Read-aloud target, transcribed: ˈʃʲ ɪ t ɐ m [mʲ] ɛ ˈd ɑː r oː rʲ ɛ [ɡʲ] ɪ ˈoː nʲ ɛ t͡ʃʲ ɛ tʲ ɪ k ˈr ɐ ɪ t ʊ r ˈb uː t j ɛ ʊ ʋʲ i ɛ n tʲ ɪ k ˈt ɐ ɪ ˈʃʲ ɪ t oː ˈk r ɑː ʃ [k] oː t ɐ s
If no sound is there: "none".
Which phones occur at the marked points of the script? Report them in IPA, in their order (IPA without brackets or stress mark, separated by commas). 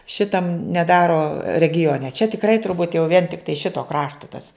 nʲ, ɡʲ, t